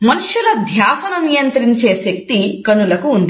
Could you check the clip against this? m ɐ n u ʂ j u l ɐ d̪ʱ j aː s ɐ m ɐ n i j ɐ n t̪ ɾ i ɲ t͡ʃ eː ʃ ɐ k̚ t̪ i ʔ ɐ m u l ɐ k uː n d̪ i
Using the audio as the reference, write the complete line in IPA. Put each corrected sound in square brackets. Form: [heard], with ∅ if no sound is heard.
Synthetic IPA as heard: m ɐ n u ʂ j u l ɐ d̪ʱ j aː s ɐ [n] ɐ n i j ɐ n t̪ ɾ i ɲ t͡ʃ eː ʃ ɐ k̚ t̪ i [k] ɐ [n] u l ɐ k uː n d̪ i